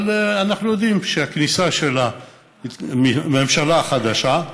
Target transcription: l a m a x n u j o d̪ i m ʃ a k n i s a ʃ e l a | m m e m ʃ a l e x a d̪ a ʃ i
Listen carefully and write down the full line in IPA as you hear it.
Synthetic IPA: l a n a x n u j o d̪ i m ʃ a k n i s a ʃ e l a | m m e m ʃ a l a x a d̪ a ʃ a